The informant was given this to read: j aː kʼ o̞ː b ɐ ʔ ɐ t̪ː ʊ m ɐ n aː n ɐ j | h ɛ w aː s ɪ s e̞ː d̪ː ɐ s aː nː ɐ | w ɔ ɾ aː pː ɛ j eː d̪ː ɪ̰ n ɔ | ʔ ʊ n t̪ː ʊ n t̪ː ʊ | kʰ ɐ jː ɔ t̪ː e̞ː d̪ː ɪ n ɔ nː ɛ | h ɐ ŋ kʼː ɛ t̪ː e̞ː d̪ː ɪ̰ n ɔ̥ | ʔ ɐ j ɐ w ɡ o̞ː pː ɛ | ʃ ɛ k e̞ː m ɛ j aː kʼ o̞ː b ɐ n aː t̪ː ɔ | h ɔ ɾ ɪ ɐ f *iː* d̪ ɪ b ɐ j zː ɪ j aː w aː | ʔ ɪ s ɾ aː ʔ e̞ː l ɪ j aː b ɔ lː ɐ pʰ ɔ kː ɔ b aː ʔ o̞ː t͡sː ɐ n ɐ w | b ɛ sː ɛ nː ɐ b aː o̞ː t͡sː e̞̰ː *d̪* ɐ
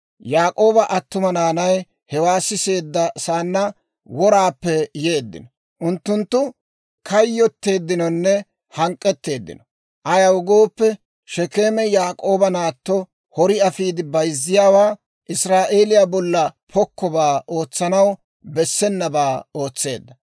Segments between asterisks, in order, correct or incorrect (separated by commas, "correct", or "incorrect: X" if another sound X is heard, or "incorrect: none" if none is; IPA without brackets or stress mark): correct, incorrect: d̪ː